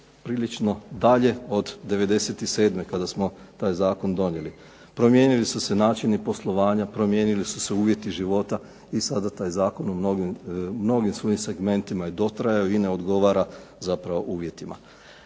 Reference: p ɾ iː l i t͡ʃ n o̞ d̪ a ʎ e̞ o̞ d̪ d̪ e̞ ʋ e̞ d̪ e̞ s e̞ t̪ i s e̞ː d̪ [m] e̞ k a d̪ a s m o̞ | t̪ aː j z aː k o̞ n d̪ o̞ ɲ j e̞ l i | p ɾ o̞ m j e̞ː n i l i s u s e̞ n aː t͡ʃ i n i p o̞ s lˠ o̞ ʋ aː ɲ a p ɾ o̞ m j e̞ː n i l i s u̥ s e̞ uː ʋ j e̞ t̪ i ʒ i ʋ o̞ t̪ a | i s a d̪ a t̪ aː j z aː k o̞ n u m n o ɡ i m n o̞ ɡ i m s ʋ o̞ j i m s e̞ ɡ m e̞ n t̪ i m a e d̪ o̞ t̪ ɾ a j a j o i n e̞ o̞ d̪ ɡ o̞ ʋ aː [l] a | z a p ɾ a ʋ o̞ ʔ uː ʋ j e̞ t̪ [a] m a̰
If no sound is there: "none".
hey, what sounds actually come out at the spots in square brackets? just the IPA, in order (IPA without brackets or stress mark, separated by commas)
m, ɾ, i